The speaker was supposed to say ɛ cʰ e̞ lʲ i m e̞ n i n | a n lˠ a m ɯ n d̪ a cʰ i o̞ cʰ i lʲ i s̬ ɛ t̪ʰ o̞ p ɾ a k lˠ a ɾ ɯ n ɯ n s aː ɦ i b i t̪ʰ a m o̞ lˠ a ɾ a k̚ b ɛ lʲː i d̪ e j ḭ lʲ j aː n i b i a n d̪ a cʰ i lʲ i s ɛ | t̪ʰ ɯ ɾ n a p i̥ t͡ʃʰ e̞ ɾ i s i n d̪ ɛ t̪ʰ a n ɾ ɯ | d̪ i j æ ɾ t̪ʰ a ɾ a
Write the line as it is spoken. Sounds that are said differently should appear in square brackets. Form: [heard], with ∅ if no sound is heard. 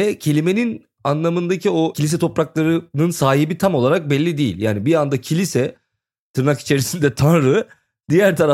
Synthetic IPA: ɛ cʰ e̞ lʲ i m e̞ n i n | a n lˠ a m ɯ n d̪ a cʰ i o̞ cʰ i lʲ i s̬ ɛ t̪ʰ o̞ p ɾ a k lˠ a ɾ ɯ n ɯ n s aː ɦ i b i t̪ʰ a m o̞ lˠ a ɾ a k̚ b ɛ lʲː i d̪ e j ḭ lʲ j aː n i b i a n d̪ a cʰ i lʲ i s ɛ | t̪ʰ ɯ ɾ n a [k] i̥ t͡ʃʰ e̞ ɾ i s i n d̪ ɛ t̪ʰ a n ɾ ɯ | d̪ i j æ ɾ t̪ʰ a ɾ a